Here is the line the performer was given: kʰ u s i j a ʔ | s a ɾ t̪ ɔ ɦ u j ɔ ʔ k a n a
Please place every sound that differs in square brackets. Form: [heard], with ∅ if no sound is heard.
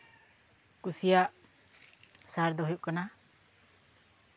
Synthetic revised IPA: [k] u s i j a ʔ | s a ɾ [d̪] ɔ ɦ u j [u] ʔ k a n a